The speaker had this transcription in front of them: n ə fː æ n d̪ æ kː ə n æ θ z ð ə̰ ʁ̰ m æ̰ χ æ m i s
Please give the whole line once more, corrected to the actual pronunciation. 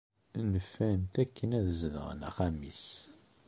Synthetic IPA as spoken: n ə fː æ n t̪ æ kː ə n æ ð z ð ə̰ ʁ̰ n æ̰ χ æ m i s